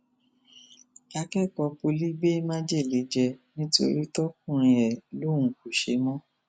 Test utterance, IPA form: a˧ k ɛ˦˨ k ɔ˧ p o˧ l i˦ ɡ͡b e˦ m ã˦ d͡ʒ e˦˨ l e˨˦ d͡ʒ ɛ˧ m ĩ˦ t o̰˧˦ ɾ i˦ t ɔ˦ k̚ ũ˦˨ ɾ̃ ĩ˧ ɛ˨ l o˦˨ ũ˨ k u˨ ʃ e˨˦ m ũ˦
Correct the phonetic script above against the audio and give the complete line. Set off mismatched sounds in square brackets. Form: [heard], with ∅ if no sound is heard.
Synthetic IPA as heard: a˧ k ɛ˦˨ k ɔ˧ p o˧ l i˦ ɡ͡b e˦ m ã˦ d͡ʒ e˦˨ l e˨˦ d͡ʒ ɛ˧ [n] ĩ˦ t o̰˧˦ ɾ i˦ t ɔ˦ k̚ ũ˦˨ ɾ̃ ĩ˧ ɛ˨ l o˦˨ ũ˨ k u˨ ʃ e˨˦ m [ɔ̃˦]